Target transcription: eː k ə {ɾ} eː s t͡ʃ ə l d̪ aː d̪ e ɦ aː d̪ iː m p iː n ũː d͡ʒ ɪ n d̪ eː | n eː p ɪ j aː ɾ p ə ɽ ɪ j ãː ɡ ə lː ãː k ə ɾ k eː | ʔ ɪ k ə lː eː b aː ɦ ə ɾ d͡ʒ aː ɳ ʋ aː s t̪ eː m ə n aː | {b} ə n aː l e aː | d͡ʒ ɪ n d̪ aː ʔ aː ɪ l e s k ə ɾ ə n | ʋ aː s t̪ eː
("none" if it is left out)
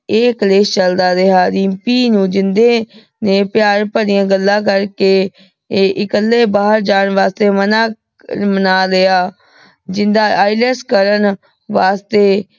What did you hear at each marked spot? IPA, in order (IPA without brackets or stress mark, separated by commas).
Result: l, m